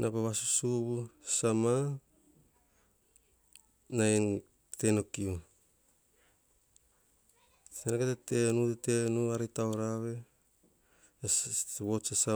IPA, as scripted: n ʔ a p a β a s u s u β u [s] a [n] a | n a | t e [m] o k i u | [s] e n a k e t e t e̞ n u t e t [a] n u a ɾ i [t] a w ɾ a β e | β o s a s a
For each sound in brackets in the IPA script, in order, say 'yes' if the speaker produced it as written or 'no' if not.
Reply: yes, no, no, yes, no, yes

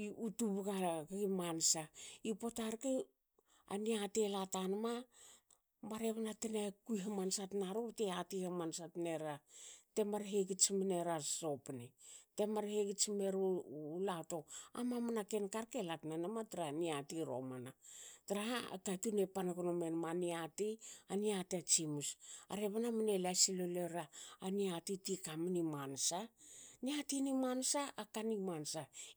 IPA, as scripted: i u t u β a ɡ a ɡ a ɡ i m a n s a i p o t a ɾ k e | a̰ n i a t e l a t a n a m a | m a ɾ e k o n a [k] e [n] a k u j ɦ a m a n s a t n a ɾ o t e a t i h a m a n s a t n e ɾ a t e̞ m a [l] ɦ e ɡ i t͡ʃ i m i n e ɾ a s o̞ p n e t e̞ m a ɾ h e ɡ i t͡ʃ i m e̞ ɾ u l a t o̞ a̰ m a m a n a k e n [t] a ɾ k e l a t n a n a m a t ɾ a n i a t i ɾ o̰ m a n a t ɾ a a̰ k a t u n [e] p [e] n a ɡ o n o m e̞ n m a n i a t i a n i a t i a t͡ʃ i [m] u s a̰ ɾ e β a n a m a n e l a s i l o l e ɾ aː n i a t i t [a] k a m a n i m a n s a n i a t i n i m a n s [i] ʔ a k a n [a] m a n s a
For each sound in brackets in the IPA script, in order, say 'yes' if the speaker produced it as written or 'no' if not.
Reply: no, yes, no, no, yes, no, yes, no, no, no

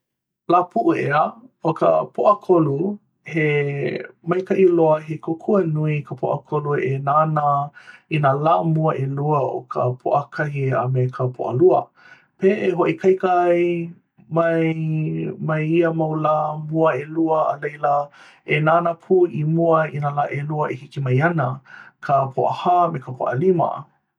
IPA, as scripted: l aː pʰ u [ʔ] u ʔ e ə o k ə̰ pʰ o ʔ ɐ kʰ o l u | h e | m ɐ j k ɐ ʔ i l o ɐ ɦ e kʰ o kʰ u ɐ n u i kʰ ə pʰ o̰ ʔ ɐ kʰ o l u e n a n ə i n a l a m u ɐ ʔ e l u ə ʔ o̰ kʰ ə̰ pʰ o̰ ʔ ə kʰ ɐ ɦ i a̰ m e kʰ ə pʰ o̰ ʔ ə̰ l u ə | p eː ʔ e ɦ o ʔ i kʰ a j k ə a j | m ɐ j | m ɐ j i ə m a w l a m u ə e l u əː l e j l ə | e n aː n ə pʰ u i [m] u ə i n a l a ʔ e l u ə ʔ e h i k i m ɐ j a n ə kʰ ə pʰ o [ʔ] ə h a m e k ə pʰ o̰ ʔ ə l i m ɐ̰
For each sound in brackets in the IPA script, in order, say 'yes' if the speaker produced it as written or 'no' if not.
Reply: yes, yes, yes

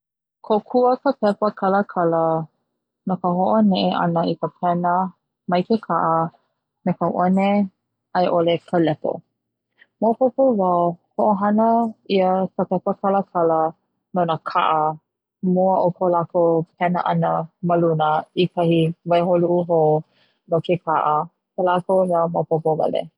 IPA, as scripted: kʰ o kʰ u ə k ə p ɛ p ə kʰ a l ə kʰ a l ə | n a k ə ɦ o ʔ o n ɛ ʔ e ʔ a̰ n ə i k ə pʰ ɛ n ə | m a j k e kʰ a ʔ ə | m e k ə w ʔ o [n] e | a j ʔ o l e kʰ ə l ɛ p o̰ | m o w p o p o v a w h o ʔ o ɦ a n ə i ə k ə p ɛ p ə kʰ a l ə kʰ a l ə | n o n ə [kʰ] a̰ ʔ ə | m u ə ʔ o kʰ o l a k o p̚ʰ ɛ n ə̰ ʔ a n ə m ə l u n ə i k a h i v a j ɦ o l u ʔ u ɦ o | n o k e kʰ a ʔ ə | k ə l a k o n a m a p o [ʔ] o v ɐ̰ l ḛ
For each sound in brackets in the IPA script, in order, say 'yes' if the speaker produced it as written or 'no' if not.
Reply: yes, yes, no

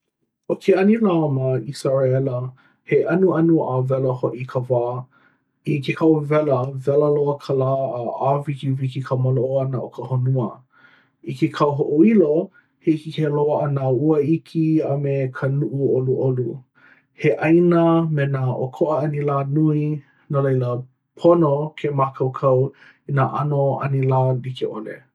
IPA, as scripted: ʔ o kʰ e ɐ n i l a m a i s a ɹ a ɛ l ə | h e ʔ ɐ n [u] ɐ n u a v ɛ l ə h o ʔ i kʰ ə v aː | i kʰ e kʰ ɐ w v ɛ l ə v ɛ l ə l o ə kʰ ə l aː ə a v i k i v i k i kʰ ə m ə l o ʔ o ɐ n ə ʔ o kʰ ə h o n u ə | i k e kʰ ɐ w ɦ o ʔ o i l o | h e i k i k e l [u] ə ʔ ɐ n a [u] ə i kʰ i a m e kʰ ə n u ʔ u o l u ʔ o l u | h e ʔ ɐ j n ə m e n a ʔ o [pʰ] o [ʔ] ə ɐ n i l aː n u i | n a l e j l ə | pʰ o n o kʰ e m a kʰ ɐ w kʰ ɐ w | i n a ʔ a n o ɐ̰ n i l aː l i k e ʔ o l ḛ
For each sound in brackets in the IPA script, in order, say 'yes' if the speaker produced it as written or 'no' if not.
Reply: yes, no, yes, no, yes

